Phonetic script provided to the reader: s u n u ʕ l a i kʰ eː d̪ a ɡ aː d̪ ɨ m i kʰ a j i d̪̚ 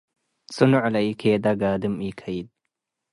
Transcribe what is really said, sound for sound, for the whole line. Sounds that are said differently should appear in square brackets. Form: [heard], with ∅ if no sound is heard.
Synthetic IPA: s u n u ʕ l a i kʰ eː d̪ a ɡ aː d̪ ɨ m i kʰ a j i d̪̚

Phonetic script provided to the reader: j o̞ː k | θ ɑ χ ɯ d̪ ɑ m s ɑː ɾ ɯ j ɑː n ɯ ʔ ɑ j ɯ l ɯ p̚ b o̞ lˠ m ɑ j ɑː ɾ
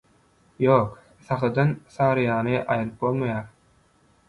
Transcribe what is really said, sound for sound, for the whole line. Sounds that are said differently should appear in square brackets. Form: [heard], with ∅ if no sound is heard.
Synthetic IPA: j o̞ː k | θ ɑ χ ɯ d̪ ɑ [n] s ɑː ɾ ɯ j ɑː n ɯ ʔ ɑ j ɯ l ɯ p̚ b o̞ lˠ m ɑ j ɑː ɾ

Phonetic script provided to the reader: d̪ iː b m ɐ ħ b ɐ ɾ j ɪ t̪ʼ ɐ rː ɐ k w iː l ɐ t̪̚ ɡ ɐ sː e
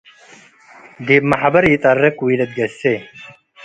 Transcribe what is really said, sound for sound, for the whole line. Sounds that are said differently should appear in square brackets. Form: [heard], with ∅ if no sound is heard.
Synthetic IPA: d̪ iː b m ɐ ħ b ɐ ɾ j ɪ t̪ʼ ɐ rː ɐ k w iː l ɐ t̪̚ ɡ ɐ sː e

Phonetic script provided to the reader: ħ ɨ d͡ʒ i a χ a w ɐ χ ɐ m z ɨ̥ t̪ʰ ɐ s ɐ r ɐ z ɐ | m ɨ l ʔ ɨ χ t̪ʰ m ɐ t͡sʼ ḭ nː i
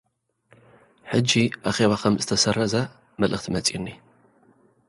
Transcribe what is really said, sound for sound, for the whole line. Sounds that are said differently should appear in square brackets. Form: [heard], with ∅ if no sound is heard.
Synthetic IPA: ħ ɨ d͡ʒ i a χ [e] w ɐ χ ɐ m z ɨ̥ t̪ʰ ɐ s ɐ r ɐ z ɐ | m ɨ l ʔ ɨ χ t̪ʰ m ɐ t͡sʼ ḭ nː i

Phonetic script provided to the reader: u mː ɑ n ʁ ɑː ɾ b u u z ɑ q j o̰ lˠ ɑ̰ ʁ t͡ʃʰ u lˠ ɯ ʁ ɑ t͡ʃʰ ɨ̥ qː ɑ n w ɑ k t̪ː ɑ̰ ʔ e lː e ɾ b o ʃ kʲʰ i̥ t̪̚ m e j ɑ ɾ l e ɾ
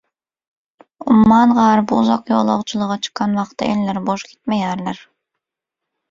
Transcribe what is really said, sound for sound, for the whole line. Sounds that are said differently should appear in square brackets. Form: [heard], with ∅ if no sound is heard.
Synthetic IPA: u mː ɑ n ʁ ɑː ɾ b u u z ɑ q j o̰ lˠ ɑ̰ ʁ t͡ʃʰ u lˠ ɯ ʁ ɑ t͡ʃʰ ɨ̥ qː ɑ n w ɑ [q] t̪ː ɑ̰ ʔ e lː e ɾ b o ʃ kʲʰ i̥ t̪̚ m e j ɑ ɾ l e ɾ

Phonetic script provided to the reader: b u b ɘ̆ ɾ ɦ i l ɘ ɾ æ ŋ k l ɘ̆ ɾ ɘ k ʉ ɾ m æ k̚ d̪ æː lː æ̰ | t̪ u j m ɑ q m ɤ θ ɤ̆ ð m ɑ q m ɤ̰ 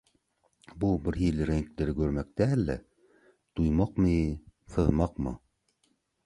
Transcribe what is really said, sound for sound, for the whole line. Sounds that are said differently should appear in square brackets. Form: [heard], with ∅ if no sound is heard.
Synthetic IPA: b u b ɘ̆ ɾ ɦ i l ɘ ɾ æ ŋ k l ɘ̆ ɾ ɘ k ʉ ɾ m æ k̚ [t̪] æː lː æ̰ | t̪ u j m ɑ q m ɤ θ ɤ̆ ð m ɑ q m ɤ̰

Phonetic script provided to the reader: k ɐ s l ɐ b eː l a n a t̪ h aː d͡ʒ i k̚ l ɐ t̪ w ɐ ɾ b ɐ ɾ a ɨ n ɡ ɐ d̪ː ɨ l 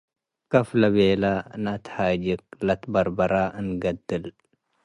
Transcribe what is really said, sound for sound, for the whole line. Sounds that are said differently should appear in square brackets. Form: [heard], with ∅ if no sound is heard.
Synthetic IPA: k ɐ [f] l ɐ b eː l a n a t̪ h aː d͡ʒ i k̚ l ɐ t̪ [b] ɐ ɾ b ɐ ɾ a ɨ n ɡ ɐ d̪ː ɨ l

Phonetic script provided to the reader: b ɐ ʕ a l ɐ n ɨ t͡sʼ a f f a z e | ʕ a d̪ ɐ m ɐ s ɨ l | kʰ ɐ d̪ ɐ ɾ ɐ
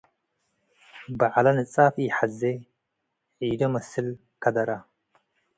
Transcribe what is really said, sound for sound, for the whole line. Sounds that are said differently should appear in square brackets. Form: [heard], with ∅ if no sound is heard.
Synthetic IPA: b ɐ ʕ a l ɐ n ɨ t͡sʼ a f [ħ] a z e | ʕ [i] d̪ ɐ m ɐ s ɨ l | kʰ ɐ d̪ ɐ ɾ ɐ

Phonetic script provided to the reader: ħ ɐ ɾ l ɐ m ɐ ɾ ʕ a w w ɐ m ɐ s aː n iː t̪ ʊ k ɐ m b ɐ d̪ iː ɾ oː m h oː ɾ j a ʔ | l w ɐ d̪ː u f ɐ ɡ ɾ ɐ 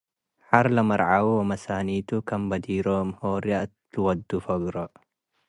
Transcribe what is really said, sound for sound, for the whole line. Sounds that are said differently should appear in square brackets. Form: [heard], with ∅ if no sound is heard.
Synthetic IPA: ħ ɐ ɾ l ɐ m ɐ ɾ ʕ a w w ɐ m ɐ s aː n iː t̪ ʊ k ɐ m b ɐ d̪ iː ɾ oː m h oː ɾ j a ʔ | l w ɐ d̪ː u f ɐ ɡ ɾ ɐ

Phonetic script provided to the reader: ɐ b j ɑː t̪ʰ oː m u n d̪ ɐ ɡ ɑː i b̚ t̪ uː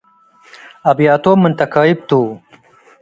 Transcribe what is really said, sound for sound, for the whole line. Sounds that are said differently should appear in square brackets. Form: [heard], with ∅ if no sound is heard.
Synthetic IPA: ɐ b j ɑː [t̪] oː m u n [t̪] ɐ [k] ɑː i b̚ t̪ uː

